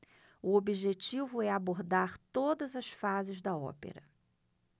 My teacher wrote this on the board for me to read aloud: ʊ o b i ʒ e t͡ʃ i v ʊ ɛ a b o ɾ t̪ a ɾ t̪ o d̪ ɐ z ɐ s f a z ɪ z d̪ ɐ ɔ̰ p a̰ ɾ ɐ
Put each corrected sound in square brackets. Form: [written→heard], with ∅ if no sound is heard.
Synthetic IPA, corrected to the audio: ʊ o b i ʒ e t͡ʃ i v ʊ ɛ a b o ɾ [t̪→d̪] a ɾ t̪ o d̪ ɐ z ɐ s f a z ɪ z d̪ ɐ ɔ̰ p [a̰→ḛ] ɾ ɐ